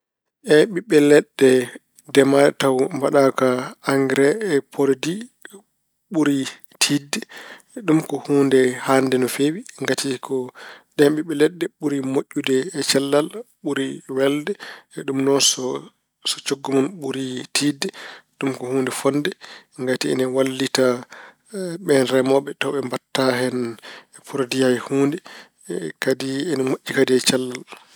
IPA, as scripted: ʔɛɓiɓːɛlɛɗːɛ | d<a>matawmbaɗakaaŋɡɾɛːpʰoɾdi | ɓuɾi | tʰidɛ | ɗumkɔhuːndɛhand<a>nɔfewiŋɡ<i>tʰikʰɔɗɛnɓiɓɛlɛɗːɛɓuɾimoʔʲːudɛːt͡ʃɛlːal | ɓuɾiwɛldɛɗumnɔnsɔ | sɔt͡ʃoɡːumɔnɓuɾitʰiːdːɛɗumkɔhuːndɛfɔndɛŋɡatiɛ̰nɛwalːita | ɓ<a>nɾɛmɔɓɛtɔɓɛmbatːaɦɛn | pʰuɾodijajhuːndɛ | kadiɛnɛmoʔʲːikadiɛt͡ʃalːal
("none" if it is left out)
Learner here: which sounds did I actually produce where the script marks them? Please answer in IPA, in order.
ɛ, ɛ, a, ɛ

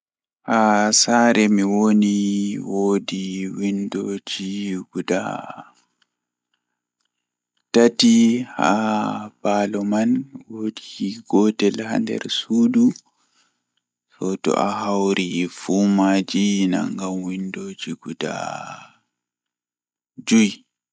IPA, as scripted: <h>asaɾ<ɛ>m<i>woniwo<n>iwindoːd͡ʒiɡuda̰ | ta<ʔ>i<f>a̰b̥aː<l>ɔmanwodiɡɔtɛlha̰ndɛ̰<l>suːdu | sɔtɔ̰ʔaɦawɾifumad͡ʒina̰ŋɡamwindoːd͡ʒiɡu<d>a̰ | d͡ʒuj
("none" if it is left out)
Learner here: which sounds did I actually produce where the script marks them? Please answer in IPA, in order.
h, ɛ, i, d, t, h, l, ɾ, d

